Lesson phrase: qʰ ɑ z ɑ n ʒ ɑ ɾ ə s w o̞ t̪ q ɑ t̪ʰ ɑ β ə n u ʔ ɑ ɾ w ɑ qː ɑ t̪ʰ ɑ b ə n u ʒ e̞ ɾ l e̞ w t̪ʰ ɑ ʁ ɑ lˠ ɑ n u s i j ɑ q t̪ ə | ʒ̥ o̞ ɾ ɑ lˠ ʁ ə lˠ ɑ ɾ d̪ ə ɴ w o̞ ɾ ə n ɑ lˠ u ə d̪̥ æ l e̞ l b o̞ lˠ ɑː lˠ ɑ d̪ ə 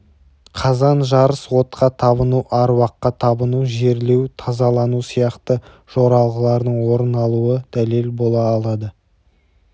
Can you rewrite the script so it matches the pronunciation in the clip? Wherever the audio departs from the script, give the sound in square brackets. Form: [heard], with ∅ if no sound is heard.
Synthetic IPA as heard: qʰ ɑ z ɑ n ʒ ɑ ɾ ə s w o̞ t̪ q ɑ t̪ʰ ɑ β ə n u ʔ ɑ ɾ w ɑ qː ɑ t̪ʰ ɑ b ə n u ʒ e̞ ɾ l e̞ w t̪ʰ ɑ [z] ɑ lˠ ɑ n u s i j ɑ q t̪ ə | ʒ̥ o̞ ɾ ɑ lˠ ʁ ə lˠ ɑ ɾ d̪ ə ɴ w o̞ ɾ ə n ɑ lˠ u ə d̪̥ æ l e̞ l b o̞ lˠ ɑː lˠ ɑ d̪ ə

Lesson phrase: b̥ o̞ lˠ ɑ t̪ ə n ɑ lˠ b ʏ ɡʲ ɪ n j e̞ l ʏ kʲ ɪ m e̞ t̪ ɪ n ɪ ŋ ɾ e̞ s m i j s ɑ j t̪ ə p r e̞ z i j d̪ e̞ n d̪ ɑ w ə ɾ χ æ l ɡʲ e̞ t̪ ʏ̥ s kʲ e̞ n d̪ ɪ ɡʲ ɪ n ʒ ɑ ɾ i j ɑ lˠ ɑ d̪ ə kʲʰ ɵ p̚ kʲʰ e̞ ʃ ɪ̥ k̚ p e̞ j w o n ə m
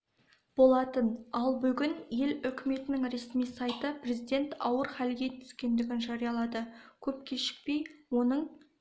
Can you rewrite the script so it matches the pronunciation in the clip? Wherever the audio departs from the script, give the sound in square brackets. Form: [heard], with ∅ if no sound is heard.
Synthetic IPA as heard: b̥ o̞ lˠ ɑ t̪ ə n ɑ lˠ b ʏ ɡʲ ɪ n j e̞ l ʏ kʲ ɪ m e̞ t̪ ɪ n ɪ ŋ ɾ e̞ s m i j s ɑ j t̪ ə p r e̞ z i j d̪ e̞ n [t̪] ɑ w ə ɾ χ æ l ɡʲ e̞ [t̪ʰ] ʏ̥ s kʲ e̞ n d̪ ɪ ɡʲ ɪ n ʒ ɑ ɾ i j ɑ lˠ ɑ d̪ ə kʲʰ ɵ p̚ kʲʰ e̞ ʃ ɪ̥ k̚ p e̞ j w o n ə [ɴ]

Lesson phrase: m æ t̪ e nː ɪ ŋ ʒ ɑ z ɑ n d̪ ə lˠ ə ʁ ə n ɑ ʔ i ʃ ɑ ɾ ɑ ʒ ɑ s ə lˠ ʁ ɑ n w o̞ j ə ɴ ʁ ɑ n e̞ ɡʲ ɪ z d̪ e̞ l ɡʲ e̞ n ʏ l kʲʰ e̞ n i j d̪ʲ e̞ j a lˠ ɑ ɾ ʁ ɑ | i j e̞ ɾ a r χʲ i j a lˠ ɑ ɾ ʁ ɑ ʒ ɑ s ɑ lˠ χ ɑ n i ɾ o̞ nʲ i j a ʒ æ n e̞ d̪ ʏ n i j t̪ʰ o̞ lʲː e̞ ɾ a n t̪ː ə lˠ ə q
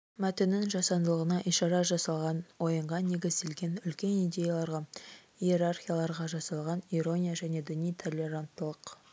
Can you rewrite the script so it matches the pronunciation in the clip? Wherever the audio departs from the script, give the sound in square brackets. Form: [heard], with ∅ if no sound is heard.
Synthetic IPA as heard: m æ t̪ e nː ɪ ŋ ʒ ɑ [s] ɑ n d̪ ə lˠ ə ʁ ə n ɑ ʔ i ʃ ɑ ɾ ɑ ʒ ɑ s [ɑ] lˠ ʁ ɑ n w o̞ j ə ɴ ʁ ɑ n e̞ ɡʲ ɪ z d̪ e̞ l ɡʲ e̞ n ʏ l [kʲ] e̞ n i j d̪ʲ e̞ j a lˠ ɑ ɾ ʁ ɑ | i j e̞ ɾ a r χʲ i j a lˠ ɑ ɾ ʁ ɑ ʒ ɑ s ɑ lˠ [ʁ] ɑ n i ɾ o̞ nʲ i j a ʒ æ n e̞ d̪ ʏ n i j t̪ʰ o̞ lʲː e̞ ɾ a n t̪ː ə lˠ ə q

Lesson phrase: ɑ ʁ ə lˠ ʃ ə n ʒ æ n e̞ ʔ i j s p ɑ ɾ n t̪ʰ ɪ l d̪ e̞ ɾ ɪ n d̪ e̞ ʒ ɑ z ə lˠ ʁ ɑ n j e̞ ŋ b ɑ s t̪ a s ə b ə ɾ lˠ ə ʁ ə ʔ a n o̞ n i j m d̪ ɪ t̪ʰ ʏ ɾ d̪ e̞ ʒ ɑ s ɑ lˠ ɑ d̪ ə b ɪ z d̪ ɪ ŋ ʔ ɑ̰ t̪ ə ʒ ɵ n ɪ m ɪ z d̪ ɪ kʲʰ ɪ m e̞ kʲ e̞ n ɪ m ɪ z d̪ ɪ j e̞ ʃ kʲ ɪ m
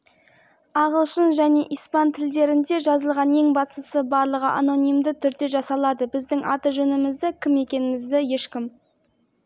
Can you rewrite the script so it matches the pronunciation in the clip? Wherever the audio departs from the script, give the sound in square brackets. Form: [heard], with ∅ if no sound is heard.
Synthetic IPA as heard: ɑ ʁ ə lˠ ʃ ə n ʒ æ n e̞ ʔ i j s p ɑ [∅] n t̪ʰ ɪ l d̪ e̞ ɾ ɪ n d̪ e̞ ʒ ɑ z ə lˠ ʁ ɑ n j e̞ ŋ b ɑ s t̪ [ə] s ə b [ɑ] ɾ lˠ ə ʁ ə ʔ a n o̞ n i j m d̪ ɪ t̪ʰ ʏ ɾ d̪ e̞ ʒ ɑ s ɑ lˠ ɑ d̪ ə b ɪ z d̪ ɪ ŋ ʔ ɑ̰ t̪ ə ʒ ɵ n ɪ m ɪ z d̪ ɪ kʲʰ ɪ m e̞ kʲ e̞ n ɪ m ɪ z d̪ ɪ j e̞ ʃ kʲ ɪ m

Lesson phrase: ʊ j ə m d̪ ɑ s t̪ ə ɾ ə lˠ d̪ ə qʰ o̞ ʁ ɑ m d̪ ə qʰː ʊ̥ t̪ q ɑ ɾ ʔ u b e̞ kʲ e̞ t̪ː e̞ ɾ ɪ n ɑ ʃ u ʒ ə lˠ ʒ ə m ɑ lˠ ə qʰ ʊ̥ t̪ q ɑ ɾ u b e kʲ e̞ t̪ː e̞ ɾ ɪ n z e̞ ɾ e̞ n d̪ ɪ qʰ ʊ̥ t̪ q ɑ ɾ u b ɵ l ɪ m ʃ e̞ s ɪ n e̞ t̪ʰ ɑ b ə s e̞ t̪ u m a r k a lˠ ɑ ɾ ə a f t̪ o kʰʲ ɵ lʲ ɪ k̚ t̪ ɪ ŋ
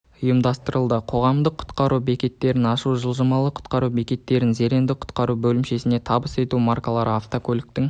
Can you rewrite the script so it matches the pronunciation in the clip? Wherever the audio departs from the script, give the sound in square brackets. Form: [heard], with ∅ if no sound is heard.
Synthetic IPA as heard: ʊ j ə m d̪ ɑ s t̪ ə ɾ ə lˠ d̪ ə qʰ o̞ ʁ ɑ m d̪ ə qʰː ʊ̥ t̪ q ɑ ɾ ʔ u b e̞ kʲ e̞ t̪ː e̞ ɾ ɪ n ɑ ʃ u ʒ ə lˠ ʒ ə m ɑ lˠ ə qʰ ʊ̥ t̪ q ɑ ɾ u b e kʲ e̞ t̪ː e̞ ɾ ɪ n z e̞ ɾ e̞ n d̪ ɪ qʰ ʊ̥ t̪ q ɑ ɾ u b ɵ l ɪ m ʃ e̞ s ɪ n e̞ t̪ʰ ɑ b ə s e̞ t̪ u m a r k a lˠ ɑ ɾ ə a f t̪ o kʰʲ ɵ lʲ ɪ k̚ t̪ ɪ ŋ

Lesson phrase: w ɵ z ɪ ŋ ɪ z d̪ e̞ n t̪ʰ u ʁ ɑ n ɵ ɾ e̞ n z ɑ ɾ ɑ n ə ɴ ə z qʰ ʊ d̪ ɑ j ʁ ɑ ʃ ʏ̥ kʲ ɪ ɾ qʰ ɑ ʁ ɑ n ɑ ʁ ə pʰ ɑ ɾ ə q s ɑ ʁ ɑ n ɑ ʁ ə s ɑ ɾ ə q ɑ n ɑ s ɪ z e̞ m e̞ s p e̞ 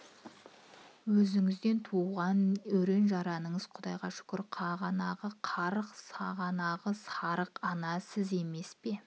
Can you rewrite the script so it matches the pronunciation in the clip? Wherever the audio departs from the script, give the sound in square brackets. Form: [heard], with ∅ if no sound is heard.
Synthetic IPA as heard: w ɵ z ɪ ŋ ɪ z d̪ e̞ n t̪ʰ u ʁ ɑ n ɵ ɾ e̞ n [ʒ] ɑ ɾ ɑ n ə ɴ ə z qʰ ʊ d̪ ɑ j ʁ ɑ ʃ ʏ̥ kʲ ɪ ɾ qʰ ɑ ʁ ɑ n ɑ ʁ ə [qʰ] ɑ ɾ ə q s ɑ ʁ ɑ n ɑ ʁ ə s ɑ ɾ ə q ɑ n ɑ s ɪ z e̞ m e̞ s p e̞

